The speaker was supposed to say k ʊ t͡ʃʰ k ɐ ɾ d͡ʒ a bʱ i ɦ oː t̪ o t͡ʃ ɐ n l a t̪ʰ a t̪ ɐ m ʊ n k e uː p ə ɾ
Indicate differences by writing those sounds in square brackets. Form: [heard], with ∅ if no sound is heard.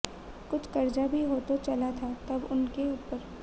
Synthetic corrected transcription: k ʊ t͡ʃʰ k ɐ ɾ d͡ʒ a bʱ i ɦ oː t̪ o t͡ʃ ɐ [∅] l a t̪ʰ a t̪ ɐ [b] ʊ n k e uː p ə ɾ